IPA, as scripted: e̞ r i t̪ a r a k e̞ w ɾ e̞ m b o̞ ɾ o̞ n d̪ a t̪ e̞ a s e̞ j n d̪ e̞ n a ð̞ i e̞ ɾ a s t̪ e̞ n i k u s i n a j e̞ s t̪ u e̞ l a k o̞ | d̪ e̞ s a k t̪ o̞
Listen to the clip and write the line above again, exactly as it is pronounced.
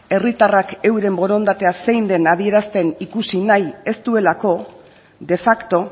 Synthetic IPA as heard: e̞ r i t̪ a r a k e̞ w ɾ e̞ m b o̞ ɾ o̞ n d̪ a t̪ e̞ a s e̞ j n d̪ e̞ n a ð̞ i e̞ ɾ a s t̪ e̞ n i k u s i n a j e̞ s t̪ u e̞ l a k o̞ | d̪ e̞ f a k t̪ o̞